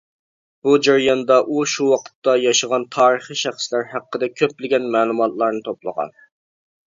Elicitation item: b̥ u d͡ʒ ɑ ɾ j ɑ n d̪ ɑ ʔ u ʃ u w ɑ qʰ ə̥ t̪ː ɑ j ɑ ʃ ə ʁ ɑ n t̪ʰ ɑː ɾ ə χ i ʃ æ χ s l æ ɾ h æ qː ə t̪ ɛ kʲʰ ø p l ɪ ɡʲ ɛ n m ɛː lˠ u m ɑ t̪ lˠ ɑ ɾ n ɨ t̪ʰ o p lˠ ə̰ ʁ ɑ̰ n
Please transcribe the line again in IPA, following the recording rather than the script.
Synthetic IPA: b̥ u d͡ʒ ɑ ɾ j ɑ n d̪ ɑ ʔ u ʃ u w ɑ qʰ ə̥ t̪ː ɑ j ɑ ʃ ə ʁ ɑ n t̪ʰ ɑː ɾ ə χ i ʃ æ χ s l æ ɾ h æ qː ə d̪ ɛ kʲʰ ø p l ɪ ɡʲ ɛ n m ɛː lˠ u m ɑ t̪ lˠ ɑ ɾ n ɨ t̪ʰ o p lˠ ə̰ ʁ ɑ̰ n